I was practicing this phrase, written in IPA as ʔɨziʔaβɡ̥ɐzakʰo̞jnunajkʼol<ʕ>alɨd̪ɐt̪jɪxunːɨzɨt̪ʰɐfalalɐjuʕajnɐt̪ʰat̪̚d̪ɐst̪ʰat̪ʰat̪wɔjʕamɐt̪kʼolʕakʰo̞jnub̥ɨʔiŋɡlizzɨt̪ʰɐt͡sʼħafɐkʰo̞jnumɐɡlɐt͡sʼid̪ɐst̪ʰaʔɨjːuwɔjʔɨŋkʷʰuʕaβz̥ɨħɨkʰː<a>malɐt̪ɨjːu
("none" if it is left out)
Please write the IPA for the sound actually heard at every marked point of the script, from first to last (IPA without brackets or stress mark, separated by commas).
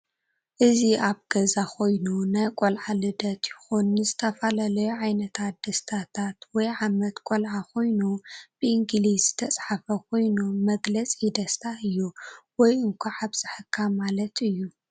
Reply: ʕ, a